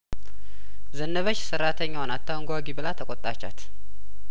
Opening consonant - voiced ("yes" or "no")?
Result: yes